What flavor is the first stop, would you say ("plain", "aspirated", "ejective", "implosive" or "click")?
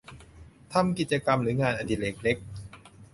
aspirated